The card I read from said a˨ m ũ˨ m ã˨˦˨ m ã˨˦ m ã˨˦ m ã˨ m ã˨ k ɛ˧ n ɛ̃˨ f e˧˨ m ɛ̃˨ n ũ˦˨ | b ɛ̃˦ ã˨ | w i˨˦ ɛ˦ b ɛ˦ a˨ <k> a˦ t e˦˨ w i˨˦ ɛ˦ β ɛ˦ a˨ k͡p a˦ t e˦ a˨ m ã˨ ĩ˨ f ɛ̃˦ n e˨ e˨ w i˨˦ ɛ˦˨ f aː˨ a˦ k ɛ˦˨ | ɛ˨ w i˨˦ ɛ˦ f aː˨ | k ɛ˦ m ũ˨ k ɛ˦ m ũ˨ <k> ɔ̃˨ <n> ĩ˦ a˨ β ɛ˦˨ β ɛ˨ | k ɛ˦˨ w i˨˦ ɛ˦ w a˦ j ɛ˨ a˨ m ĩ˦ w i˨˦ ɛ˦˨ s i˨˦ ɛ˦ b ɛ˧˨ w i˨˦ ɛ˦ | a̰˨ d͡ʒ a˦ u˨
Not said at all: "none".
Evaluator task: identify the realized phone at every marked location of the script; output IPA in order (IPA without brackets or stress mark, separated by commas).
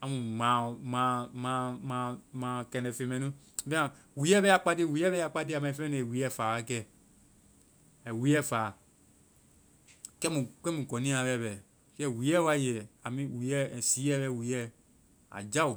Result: k͡p, k, n